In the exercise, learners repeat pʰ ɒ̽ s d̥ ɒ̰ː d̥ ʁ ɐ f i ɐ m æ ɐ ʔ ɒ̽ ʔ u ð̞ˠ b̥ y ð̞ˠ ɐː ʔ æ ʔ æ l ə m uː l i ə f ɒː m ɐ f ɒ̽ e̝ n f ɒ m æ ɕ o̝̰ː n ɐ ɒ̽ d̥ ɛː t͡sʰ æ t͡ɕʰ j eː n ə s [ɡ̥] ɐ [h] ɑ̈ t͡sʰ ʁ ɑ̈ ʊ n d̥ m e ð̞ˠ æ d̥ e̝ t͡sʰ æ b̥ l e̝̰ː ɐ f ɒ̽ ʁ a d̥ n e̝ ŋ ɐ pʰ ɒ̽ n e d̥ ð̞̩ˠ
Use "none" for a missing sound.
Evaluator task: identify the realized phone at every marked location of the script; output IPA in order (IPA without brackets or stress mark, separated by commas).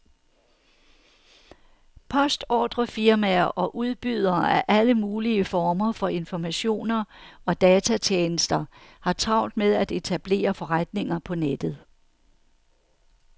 d̥, h